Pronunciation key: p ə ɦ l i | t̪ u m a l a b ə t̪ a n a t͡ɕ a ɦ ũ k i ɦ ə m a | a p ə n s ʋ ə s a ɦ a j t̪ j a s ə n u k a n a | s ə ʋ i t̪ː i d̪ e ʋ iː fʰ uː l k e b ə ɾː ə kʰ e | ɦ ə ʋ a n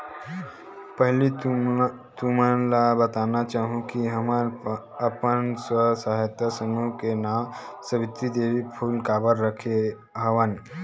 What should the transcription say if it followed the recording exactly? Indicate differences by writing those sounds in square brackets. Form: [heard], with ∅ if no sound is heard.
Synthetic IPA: p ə ɦ l i | t̪ u m a l a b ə t̪ a n a t͡ɕ a ɦ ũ k i ɦ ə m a | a p ə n s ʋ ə s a ɦ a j t̪ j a s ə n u k [e] n a | s ə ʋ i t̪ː i d̪ e ʋ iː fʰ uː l k [a] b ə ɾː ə kʰ e | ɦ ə ʋ a n